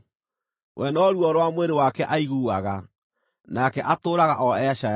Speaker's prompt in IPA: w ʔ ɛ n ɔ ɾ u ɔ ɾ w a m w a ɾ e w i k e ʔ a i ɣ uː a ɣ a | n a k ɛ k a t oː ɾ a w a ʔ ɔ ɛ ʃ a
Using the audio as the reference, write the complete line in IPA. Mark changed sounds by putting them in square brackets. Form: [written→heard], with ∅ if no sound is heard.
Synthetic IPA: w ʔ ɛ n ɔ ɾ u ɔ ɾ w a m w [a→e] ɾ e w [i→a] k [e→ɛ] ʔ a i ɣ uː a ɣ a | n a k ɛ [k→ʔ] a t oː ɾ a [w→ɣ] a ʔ ɔ ɛ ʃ a